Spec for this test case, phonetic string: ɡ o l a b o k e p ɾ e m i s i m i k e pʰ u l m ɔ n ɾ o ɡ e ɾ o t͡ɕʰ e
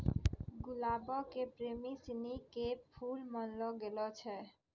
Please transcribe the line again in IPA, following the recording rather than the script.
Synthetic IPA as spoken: ɡ u l a b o k e p ɾ e m i s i n i k e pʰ u l m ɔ n l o ɡ e l o t͡ɕʰ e